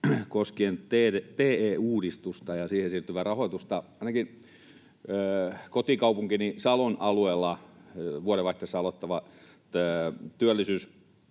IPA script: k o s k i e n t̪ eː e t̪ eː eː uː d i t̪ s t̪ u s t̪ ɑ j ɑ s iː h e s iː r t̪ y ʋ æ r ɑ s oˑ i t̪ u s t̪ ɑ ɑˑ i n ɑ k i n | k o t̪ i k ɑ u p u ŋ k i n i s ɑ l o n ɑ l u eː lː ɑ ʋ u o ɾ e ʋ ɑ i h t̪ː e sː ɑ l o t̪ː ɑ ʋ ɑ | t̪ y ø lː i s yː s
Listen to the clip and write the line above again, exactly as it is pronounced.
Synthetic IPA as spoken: k o s k i e n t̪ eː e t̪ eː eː uː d i s t̪ u s t̪ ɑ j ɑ s iː h e s iː r t̪ y ʋ æ r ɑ h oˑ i t̪ u s t̪ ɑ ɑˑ i n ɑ k i n | k o t̪ i k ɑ u p u ŋ k i n i s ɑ l o n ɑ l u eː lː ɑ ʋ u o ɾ e ʋ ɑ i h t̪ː e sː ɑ l o t̪ː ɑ ʋ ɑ | t̪ y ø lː i s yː s